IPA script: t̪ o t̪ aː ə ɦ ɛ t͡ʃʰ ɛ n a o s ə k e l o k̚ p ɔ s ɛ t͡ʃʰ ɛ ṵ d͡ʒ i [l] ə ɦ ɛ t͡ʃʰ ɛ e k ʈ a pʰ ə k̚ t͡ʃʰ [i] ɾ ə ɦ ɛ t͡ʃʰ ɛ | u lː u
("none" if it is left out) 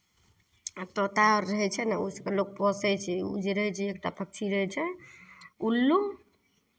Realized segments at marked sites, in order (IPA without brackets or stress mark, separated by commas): ɾ, i